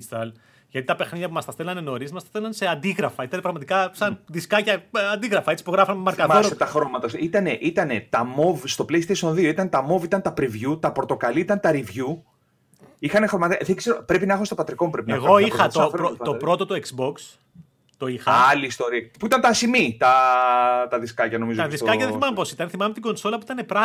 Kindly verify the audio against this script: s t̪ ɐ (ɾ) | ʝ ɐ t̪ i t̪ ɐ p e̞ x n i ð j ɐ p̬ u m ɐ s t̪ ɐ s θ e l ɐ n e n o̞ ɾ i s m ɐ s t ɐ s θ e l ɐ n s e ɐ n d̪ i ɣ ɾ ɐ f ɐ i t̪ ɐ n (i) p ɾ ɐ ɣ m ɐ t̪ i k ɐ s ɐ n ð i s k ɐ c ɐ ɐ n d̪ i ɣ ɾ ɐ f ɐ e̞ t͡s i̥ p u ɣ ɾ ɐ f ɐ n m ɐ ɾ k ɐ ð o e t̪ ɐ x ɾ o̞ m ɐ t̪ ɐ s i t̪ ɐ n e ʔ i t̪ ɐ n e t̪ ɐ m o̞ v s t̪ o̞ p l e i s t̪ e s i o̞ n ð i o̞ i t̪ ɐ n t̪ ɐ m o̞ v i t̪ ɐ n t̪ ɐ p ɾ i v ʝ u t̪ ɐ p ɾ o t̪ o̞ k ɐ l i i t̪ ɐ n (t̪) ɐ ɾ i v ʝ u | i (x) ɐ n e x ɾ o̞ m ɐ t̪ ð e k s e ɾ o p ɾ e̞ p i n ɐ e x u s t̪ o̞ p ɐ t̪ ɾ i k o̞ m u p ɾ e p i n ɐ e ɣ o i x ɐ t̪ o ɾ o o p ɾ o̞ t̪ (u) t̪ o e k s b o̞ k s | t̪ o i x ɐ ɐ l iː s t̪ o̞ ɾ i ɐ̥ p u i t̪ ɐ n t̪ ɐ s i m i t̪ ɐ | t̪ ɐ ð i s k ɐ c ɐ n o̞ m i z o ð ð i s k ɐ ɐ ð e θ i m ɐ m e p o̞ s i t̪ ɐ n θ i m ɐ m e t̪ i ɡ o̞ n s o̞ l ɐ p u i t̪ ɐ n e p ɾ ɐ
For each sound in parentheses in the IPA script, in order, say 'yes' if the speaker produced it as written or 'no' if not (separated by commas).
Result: no, no, yes, yes, no